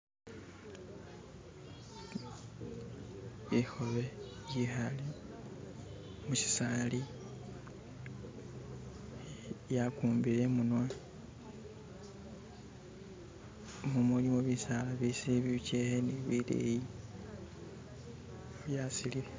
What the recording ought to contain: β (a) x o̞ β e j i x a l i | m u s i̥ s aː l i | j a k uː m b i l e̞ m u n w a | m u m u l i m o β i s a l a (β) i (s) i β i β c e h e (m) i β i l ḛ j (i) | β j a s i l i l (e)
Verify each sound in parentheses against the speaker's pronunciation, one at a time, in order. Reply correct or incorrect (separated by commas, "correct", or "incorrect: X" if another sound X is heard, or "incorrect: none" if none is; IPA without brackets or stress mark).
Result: incorrect: i, correct, correct, incorrect: n, correct, correct